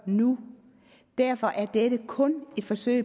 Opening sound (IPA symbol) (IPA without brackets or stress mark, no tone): n